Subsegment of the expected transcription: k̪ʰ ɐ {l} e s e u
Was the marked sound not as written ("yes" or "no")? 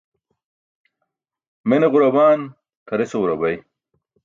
yes